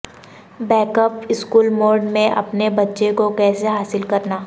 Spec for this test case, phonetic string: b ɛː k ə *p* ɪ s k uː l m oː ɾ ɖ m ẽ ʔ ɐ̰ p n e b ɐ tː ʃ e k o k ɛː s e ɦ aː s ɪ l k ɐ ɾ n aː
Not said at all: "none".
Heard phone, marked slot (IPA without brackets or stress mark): p